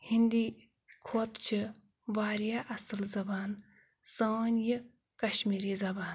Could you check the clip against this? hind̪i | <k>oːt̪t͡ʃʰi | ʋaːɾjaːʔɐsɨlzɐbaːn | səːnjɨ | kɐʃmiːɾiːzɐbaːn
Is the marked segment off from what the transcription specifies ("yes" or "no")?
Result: yes